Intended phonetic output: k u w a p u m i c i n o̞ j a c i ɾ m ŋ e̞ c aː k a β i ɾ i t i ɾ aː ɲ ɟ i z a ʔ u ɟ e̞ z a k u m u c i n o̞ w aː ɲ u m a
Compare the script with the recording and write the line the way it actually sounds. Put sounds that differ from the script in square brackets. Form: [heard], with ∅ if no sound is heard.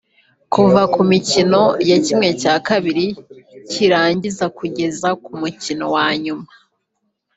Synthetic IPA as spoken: k u [v] a [k] u m i c i n o̞ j a c i [∅] m ŋ e̞ c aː k a β i ɾ i [c] i ɾ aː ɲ ɟ i z a [k] u ɟ e̞ z a k u m u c i n o̞ w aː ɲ u m a